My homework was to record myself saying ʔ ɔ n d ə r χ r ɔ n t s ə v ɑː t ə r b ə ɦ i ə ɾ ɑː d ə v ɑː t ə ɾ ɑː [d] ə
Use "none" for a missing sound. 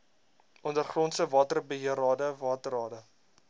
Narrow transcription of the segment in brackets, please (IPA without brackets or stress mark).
d